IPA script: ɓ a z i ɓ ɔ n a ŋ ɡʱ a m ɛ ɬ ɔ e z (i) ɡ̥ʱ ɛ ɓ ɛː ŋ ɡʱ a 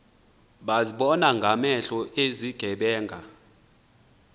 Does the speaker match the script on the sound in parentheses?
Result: yes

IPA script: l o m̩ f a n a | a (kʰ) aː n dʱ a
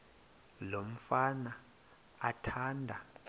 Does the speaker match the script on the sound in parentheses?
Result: no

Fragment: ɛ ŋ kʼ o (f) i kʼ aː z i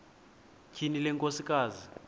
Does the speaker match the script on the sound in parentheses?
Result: no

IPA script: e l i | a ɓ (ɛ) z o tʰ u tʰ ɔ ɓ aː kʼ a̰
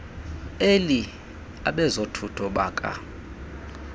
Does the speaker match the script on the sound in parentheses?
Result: yes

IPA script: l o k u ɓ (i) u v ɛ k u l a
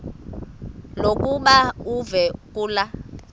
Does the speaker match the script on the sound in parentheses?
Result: no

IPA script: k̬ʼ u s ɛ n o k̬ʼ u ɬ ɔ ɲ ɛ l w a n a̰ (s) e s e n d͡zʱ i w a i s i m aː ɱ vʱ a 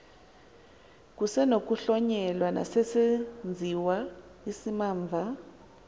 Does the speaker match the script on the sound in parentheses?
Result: yes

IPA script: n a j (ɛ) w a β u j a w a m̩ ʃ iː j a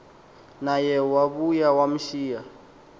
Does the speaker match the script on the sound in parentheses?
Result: yes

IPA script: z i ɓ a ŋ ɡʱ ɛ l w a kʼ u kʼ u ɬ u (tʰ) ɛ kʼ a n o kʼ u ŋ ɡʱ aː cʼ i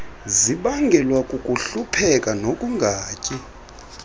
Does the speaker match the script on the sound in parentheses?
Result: no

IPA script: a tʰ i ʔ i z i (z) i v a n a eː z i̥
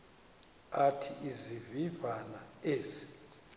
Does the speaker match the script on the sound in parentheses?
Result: no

